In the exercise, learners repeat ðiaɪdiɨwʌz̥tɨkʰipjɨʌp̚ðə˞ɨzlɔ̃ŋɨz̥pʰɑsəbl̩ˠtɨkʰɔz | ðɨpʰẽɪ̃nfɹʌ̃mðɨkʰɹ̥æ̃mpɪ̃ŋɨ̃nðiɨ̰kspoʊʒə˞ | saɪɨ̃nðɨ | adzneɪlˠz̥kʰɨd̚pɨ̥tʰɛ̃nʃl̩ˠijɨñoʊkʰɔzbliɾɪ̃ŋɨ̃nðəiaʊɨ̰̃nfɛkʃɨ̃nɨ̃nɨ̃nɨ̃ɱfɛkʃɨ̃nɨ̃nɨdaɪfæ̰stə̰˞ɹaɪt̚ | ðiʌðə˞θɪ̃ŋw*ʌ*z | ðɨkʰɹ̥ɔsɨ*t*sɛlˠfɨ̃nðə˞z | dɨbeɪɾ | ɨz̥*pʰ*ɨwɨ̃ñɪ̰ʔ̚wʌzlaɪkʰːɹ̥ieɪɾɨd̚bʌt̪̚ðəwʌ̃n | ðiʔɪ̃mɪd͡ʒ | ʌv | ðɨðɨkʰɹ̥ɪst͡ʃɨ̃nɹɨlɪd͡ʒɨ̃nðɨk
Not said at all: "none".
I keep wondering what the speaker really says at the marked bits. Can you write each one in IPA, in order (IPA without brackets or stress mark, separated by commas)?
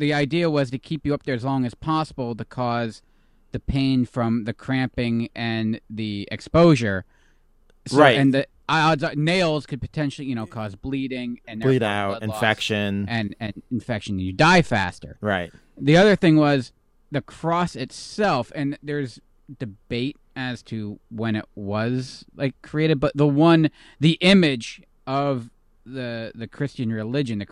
ʌ, t, tʰ